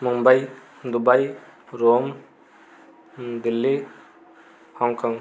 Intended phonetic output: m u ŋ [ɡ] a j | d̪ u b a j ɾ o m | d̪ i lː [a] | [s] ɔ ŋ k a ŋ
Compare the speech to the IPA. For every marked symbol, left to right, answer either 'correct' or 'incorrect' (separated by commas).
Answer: incorrect, incorrect, incorrect